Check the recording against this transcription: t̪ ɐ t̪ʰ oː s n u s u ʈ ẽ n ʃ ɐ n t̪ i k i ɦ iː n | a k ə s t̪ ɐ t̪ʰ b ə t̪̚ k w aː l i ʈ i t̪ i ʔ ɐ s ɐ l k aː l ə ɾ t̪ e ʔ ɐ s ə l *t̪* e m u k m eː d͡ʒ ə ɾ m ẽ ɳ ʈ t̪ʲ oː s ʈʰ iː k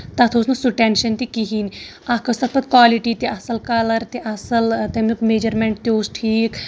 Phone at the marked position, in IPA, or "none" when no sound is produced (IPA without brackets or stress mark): t̪